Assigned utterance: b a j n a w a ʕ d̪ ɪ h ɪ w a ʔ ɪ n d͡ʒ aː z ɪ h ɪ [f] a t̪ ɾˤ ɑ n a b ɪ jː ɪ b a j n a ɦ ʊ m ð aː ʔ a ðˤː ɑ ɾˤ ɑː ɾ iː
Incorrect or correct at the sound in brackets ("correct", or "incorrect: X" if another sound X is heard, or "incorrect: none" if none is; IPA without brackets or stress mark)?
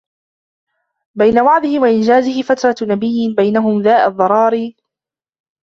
correct